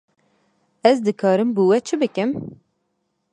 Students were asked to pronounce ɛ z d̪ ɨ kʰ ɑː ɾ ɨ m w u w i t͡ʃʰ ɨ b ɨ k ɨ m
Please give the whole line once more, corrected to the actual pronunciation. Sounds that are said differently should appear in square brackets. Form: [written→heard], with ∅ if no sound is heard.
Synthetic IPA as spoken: ɛ z d̪ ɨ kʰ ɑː ɾ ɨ m [w→b] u w [i→ɛ] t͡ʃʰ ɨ b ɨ k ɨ m